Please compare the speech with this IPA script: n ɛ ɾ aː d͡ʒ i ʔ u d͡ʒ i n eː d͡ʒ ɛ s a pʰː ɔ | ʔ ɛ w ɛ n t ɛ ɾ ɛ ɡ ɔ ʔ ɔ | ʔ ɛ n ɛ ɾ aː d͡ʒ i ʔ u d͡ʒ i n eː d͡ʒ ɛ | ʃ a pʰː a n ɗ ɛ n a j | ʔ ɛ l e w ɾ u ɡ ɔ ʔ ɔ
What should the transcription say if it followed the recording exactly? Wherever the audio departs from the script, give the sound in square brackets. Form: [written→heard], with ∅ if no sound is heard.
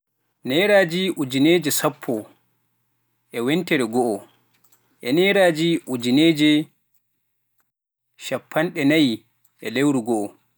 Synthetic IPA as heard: n ɛ ɾ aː d͡ʒ i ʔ u d͡ʒ i n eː d͡ʒ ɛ s a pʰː ɔ | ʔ ɛ w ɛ n t ɛ ɾ ɛ ɡ ɔ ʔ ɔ | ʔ ɛ n ɛ ɾ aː d͡ʒ i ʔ u d͡ʒ i n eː d͡ʒ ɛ | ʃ a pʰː a n ɗ ɛ n a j | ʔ ɛ l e w ɾ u ɡ ɔ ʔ ɔ